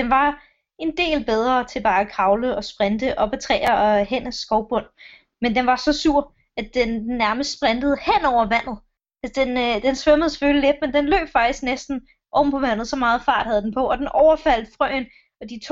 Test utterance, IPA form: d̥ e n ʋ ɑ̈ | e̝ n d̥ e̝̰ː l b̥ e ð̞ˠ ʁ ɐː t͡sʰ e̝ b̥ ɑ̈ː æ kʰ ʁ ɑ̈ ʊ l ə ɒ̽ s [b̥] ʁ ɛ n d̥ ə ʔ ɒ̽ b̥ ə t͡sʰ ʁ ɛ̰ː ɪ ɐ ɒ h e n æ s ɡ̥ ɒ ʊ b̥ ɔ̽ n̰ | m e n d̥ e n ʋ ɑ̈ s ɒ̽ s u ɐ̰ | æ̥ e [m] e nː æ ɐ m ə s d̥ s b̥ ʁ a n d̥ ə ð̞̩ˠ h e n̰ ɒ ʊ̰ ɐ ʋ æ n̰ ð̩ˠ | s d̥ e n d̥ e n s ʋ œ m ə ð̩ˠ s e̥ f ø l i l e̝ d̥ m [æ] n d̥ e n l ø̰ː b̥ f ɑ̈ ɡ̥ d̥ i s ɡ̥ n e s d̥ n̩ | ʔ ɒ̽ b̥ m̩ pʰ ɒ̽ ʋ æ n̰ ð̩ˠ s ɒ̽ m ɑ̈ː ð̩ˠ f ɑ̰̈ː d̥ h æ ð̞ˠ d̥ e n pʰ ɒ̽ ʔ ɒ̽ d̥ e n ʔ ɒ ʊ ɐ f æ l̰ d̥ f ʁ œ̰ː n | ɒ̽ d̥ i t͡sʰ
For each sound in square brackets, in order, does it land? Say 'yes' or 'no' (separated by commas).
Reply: yes, no, no